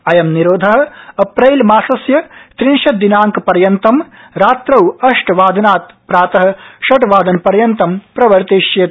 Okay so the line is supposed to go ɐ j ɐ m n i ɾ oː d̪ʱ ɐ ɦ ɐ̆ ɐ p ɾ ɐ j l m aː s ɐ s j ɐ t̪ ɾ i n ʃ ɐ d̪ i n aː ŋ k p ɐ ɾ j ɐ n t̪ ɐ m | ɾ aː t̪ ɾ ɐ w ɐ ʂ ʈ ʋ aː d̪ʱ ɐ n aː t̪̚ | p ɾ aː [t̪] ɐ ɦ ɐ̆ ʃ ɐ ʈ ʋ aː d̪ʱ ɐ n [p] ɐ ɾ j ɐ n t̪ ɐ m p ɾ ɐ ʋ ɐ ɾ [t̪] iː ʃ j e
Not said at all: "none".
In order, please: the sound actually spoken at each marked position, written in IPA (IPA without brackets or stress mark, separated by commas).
t̪, p, t̪